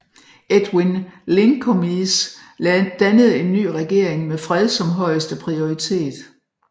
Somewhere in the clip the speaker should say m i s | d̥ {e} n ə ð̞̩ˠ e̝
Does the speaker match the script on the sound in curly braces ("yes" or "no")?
no